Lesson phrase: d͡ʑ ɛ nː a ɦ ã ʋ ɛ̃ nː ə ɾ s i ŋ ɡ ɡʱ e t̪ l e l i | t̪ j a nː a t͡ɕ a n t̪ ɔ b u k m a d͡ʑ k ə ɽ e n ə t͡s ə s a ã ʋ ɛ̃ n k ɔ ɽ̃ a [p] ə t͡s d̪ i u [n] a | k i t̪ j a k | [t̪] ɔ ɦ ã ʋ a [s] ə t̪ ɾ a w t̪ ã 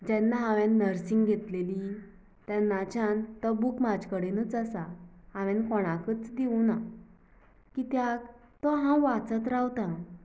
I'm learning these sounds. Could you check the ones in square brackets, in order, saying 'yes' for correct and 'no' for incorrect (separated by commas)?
no, yes, yes, no